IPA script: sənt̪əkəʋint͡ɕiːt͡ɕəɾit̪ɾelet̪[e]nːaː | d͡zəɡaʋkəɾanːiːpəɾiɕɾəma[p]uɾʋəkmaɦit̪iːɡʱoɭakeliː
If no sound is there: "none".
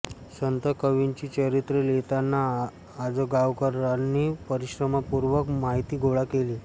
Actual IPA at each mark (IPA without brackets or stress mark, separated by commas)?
a, p